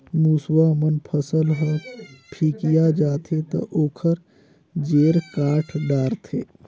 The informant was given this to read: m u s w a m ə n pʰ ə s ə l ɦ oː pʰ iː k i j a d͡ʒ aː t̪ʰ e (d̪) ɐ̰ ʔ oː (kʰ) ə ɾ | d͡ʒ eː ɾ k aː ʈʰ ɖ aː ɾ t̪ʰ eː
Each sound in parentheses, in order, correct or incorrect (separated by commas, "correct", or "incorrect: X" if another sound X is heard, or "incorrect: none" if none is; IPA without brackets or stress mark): incorrect: t̪, correct